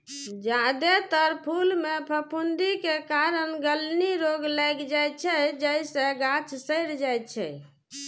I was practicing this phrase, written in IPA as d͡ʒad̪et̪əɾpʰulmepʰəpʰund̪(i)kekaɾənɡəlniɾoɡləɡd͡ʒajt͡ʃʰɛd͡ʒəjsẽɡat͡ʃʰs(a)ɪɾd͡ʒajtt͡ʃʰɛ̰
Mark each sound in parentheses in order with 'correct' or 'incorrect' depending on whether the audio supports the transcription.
correct, incorrect: ə

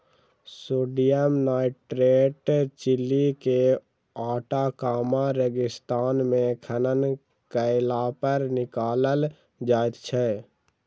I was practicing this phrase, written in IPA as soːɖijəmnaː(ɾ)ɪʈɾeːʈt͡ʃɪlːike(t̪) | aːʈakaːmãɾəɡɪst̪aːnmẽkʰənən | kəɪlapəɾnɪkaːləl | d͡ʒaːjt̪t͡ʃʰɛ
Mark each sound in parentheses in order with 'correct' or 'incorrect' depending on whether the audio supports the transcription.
incorrect: none, incorrect: none

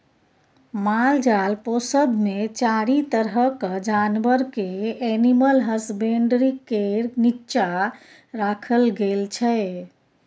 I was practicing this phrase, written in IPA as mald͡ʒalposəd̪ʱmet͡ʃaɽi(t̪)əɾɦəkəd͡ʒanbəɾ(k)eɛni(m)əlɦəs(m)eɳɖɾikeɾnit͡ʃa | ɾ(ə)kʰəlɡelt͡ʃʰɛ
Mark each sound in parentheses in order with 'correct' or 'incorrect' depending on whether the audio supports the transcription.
correct, correct, correct, incorrect: b, incorrect: a

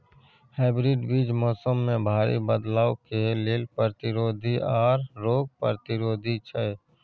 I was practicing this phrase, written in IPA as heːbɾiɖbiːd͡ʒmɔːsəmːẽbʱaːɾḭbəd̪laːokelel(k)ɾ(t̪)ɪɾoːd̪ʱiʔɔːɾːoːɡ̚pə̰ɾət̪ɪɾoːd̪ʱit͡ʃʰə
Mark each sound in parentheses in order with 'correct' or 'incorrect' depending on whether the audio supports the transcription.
incorrect: p, correct

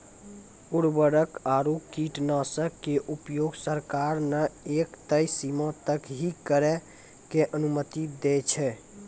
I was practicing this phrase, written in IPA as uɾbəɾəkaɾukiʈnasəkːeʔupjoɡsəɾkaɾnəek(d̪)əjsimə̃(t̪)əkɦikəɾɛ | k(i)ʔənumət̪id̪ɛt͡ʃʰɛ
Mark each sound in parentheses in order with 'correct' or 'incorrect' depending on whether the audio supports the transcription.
incorrect: t̪, correct, incorrect: e

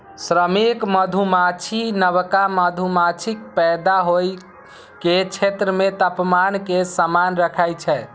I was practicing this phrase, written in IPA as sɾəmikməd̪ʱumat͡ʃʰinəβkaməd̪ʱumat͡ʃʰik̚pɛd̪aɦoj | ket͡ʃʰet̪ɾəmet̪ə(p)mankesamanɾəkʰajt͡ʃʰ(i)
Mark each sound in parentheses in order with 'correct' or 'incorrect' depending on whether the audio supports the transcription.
correct, incorrect: ɛ

